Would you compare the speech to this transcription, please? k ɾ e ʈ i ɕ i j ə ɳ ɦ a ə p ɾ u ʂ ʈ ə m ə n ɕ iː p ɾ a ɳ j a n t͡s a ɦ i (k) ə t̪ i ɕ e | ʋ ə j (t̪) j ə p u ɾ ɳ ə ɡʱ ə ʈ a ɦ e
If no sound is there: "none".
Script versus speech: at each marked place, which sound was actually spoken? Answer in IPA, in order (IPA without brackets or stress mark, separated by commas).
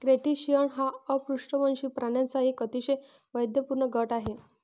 k, d̪